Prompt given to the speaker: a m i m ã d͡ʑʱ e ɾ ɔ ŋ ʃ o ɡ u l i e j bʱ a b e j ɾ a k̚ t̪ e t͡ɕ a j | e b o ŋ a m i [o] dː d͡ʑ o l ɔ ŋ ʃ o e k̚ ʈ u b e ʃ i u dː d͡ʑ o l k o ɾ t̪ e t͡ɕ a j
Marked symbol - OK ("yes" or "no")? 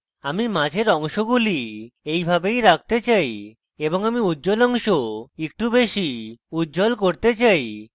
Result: no